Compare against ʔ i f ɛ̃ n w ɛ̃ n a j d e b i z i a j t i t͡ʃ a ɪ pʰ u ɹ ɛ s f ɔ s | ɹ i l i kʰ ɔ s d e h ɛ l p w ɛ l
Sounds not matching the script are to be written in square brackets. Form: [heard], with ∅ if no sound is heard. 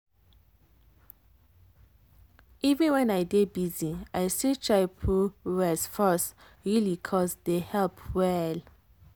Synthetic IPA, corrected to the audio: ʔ i [v] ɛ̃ n w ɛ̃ n a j d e b i z i a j [s] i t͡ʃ a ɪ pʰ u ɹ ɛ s f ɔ s | ɹ i l i kʰ ɔ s d e h ɛ l p w ɛ l